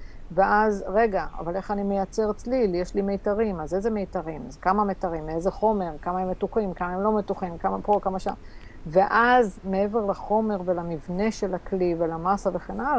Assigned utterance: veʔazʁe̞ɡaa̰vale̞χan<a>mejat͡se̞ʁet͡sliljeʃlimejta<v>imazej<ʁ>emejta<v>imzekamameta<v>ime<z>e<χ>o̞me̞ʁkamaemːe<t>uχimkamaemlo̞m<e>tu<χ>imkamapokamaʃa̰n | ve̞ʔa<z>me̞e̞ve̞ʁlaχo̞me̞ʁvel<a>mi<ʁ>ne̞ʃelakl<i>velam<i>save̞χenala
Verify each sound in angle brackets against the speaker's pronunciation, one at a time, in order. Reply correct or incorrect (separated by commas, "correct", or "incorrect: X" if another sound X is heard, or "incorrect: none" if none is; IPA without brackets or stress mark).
incorrect: i, incorrect: ʁ, incorrect: z, incorrect: ʁ, incorrect: ʁ, correct, correct, correct, correct, correct, correct, correct, incorrect: v, correct, incorrect: a